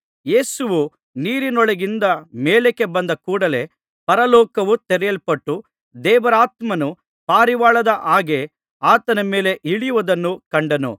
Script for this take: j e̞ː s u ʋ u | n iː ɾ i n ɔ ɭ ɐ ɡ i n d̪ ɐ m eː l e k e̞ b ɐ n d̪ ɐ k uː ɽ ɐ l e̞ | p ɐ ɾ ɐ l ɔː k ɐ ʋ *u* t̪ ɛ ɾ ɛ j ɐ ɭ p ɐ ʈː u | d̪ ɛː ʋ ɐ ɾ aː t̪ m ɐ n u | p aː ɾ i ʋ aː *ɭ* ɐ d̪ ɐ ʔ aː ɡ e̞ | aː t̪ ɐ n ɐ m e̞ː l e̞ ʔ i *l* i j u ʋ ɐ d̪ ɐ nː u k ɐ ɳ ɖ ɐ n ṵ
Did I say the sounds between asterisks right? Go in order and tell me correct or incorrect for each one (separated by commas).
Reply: correct, correct, incorrect